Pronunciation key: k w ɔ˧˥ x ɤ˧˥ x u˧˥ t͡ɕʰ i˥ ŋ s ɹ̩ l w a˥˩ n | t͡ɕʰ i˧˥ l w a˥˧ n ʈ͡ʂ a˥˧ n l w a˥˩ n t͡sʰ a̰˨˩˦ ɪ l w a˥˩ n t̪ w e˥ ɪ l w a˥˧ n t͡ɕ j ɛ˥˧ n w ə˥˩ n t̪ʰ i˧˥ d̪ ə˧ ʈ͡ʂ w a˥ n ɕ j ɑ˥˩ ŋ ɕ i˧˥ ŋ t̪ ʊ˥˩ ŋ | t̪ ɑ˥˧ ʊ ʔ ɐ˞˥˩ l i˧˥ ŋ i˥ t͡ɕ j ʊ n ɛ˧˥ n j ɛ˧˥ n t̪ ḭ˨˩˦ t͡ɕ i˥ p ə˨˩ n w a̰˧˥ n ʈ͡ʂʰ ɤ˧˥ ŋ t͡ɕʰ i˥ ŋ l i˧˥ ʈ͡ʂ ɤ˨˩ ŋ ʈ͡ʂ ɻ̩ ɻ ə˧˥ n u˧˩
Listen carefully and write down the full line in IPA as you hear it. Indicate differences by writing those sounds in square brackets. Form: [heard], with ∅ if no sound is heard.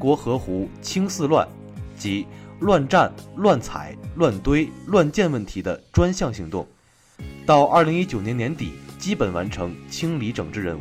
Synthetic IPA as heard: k w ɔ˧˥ x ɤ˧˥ x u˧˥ t͡ɕʰ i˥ ŋ s ɹ̩ l w a˥˩ n | [t͡ɕ] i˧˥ l w a˥˧ n ʈ͡ʂ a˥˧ n l w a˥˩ n t͡sʰ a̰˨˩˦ ɪ l w a˥˩ n t̪ w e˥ ɪ l w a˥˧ n t͡ɕ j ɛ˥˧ n w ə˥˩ n t̪ʰ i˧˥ d̪ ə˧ ʈ͡ʂ w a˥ n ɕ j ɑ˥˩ ŋ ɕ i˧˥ ŋ t̪ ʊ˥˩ ŋ | t̪ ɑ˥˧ ʊ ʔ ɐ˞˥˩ l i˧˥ ŋ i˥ t͡ɕ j ʊ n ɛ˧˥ n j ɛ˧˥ n t̪ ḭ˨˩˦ t͡ɕ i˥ p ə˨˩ n w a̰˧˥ n ʈ͡ʂʰ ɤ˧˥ ŋ t͡ɕʰ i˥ ŋ l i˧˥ ʈ͡ʂ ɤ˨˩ ŋ ʈ͡ʂ ɻ̩ ɻ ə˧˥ n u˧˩